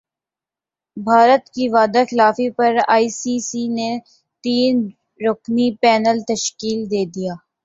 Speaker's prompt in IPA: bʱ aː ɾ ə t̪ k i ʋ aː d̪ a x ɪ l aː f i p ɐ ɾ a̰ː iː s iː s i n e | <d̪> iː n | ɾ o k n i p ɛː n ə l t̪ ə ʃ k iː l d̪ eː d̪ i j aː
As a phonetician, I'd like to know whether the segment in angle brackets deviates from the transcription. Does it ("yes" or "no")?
yes